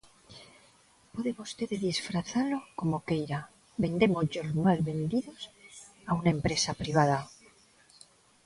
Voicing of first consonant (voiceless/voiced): voiceless